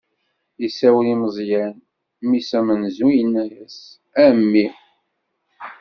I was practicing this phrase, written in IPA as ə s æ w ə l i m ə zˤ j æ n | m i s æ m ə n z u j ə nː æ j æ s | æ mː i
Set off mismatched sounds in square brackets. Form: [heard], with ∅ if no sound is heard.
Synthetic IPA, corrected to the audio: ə s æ w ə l i m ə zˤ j æ n | m i s æ m ə n z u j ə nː æ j æ s | æ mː i